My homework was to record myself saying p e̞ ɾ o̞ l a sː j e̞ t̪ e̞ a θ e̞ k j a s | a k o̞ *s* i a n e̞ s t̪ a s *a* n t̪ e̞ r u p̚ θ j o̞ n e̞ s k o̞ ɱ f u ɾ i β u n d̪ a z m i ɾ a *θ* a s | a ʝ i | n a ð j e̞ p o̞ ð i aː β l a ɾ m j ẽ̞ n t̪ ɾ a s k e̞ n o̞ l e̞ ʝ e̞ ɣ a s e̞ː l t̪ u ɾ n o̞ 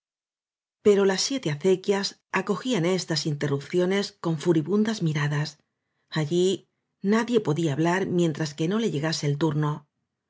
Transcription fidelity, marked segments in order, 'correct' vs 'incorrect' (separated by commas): incorrect, incorrect, incorrect